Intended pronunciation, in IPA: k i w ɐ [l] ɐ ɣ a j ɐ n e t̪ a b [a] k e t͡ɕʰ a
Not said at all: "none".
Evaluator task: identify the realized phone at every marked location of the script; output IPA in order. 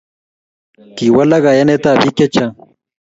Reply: l, i

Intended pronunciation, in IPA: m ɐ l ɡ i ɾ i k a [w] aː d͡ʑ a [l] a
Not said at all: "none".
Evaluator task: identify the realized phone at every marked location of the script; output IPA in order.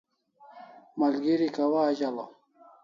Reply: w, l

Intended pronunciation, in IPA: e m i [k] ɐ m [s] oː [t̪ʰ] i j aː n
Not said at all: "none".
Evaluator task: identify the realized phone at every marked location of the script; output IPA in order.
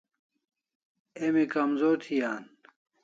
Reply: k, z, t̪ʰ

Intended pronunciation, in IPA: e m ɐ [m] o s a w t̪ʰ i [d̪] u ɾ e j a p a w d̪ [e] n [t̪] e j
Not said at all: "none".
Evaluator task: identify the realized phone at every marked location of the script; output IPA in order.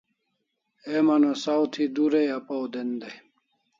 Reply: n, d̪, e, d̪

